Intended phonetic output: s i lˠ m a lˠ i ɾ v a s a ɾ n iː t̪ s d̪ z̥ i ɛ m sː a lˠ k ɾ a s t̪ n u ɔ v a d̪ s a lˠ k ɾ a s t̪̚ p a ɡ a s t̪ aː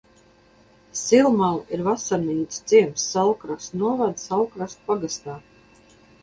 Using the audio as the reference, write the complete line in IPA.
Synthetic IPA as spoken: s i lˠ m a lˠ i ɾ v a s a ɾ n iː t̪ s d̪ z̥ i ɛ m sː a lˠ k ɾ a s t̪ n u ɔ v a d̪ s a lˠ k ɾ a s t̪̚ p a ɡ a s t̪ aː